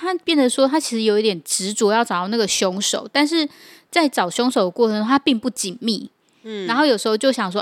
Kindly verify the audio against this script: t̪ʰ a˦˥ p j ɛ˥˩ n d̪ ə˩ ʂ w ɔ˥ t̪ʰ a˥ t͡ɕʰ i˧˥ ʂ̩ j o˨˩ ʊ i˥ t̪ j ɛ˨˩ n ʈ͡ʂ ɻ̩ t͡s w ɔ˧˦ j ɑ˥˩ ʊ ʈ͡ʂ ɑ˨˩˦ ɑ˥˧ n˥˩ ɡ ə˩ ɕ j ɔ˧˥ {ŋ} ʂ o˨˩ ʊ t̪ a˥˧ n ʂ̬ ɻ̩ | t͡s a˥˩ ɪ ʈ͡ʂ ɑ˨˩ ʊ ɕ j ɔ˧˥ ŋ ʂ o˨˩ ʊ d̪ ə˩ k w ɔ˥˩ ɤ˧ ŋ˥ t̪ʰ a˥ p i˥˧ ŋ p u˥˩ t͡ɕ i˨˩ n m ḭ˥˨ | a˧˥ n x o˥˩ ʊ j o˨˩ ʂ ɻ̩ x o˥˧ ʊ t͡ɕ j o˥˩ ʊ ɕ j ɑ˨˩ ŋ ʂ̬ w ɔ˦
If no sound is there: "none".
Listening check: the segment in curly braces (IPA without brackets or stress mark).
ŋ